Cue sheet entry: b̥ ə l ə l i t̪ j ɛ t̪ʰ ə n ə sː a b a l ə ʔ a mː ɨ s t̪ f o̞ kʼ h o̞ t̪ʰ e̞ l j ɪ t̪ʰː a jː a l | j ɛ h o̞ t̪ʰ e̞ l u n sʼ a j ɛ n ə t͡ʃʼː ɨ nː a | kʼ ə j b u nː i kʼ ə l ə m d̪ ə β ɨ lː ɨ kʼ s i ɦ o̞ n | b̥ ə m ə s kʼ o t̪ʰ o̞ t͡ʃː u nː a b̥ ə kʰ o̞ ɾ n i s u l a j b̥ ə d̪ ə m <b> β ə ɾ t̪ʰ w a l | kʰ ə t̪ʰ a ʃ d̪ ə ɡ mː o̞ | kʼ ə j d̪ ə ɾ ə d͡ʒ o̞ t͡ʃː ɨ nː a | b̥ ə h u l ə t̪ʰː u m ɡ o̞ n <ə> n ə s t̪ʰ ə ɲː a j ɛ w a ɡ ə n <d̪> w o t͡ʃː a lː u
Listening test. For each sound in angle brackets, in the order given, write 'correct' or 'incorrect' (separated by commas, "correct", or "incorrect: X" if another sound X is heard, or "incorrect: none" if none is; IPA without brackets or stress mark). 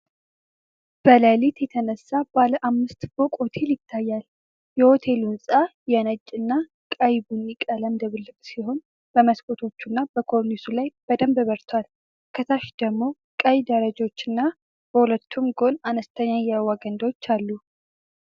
correct, incorrect: a, correct